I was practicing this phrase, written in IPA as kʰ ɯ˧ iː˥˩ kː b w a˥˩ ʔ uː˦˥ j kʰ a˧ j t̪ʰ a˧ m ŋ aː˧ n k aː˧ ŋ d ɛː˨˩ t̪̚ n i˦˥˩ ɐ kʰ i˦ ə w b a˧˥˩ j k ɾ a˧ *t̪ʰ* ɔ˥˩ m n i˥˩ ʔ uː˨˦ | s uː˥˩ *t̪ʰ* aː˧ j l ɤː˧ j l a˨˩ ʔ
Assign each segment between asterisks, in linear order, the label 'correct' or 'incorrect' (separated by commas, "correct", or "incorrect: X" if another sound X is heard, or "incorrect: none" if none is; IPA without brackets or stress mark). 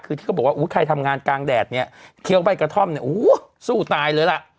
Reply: correct, incorrect: t̪